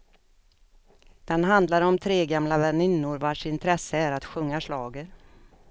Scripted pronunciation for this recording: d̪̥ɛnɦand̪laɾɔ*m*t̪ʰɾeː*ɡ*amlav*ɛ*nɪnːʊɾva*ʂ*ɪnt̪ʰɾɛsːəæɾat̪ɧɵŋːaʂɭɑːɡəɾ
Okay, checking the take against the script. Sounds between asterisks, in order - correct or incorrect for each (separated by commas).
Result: correct, correct, correct, correct